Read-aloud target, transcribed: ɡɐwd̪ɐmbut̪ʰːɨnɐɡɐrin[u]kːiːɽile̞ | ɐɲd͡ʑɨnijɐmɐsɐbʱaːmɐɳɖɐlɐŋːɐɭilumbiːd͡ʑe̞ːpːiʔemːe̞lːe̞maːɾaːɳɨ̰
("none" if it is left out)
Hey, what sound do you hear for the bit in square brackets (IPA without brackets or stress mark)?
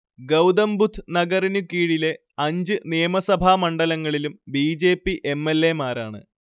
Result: u